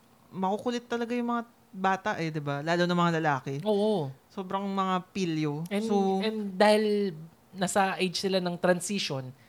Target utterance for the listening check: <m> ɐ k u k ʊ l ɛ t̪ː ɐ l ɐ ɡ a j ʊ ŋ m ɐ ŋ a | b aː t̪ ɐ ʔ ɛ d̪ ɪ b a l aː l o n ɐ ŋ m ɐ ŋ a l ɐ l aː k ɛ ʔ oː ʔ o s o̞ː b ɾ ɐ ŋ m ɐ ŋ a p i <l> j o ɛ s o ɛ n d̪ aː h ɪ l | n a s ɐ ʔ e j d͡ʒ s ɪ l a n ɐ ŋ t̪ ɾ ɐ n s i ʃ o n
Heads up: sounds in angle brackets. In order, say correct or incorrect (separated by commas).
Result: correct, correct